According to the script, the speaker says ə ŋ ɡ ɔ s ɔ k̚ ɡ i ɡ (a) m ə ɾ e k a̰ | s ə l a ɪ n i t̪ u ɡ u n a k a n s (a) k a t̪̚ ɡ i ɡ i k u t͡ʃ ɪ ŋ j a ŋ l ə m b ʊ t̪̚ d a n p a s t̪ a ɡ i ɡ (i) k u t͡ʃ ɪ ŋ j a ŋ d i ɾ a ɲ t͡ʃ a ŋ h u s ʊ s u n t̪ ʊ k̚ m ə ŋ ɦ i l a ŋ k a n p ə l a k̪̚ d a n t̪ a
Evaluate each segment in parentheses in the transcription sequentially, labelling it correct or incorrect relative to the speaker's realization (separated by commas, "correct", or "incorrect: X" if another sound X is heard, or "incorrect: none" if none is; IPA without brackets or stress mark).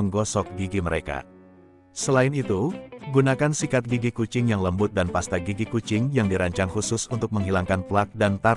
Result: incorrect: i, incorrect: i, correct